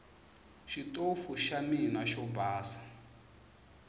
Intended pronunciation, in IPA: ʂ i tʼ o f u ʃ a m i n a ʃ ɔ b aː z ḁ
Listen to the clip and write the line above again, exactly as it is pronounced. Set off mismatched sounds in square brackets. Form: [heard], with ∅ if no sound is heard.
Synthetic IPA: [ʃ] i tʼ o f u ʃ a m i n a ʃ ɔ b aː [s] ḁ